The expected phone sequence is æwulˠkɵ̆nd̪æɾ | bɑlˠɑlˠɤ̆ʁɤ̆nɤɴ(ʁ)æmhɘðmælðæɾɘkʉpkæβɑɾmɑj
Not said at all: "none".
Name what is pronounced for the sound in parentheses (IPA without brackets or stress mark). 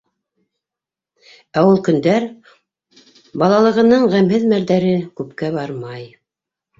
ʁ